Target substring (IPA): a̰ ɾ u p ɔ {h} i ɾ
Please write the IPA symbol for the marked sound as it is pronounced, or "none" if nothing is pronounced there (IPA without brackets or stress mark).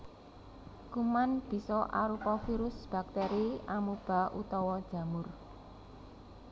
f